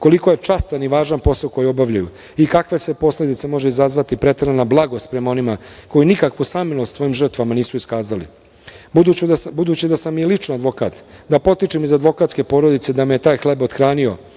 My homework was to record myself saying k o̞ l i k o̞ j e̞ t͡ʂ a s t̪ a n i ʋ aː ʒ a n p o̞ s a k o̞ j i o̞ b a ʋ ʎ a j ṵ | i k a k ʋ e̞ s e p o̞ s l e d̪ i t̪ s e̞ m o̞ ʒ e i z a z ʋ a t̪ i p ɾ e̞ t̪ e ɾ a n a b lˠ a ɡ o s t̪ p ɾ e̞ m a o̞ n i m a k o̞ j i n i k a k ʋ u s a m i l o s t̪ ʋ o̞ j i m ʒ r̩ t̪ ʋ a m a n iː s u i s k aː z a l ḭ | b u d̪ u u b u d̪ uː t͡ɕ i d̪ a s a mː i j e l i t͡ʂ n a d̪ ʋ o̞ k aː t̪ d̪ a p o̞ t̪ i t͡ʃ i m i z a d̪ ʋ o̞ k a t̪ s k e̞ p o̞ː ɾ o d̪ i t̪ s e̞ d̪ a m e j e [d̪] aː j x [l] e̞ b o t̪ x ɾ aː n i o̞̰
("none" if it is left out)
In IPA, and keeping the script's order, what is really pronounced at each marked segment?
t̪, l

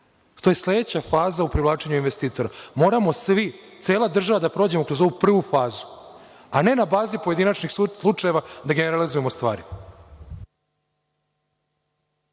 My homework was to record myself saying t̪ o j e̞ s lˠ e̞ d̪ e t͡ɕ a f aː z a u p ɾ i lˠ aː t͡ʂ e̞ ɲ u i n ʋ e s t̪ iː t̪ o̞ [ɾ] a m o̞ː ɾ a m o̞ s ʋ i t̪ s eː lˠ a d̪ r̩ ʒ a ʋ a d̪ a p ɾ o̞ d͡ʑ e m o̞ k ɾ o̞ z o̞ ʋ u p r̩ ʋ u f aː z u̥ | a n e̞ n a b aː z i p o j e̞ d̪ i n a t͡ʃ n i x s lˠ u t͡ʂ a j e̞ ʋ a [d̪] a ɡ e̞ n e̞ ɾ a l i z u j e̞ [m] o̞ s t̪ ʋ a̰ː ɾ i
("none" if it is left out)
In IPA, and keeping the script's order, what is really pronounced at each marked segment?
ɾ, d̪, m

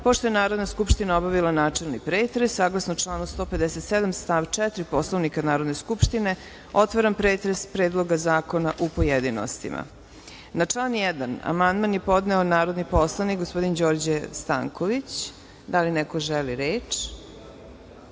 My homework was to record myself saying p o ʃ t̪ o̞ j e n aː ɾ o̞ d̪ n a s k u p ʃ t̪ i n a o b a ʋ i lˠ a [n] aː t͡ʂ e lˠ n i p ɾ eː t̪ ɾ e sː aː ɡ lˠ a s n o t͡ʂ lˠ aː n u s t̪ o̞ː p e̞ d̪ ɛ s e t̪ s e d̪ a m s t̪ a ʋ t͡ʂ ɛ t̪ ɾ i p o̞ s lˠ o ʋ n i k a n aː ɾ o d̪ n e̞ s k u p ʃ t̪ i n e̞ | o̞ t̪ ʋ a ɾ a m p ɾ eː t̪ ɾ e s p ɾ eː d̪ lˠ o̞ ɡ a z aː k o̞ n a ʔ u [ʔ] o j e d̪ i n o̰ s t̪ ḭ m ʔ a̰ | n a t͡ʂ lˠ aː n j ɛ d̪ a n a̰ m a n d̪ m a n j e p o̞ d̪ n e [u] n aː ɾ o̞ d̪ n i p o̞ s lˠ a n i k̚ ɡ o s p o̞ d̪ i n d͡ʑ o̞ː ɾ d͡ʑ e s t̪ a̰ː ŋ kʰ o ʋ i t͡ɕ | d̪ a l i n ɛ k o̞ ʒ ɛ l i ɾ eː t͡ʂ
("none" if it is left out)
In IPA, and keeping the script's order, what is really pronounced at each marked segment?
n, p, o

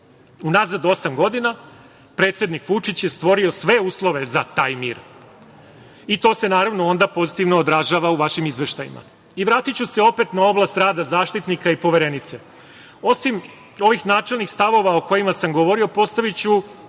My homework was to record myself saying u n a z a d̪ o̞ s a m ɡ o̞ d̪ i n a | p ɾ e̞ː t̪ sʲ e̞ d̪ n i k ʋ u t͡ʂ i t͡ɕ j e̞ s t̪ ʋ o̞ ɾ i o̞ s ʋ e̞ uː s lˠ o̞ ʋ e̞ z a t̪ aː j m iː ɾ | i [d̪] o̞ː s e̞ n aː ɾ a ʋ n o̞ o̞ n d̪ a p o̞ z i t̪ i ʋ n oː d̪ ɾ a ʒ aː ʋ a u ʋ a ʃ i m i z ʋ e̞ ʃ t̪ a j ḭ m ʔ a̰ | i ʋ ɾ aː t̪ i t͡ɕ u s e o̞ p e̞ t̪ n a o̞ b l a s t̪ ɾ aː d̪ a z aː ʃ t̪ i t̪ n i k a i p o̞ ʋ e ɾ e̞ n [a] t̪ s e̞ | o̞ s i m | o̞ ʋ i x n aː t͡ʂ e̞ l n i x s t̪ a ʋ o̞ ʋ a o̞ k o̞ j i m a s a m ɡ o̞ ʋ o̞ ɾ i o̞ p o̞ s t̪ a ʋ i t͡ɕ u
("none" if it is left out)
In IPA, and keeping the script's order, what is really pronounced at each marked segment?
t̪, i

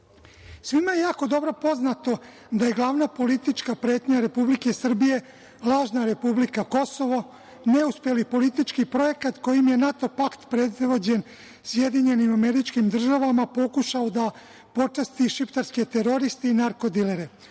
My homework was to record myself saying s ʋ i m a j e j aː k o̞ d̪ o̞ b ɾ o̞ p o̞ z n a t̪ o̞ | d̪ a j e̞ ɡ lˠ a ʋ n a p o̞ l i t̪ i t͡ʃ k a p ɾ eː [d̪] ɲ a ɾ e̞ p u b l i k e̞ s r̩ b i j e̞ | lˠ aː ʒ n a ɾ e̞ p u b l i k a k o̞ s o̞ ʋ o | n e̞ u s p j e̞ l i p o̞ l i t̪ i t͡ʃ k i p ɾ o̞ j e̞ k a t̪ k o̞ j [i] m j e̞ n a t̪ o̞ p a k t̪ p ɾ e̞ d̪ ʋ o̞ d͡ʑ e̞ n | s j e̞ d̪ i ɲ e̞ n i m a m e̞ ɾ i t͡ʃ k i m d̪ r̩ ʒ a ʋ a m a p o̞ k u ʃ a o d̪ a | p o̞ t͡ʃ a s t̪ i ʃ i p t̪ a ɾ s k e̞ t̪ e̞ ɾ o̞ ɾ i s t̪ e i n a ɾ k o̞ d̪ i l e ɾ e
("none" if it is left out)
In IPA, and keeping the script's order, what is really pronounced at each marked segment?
t̪, i

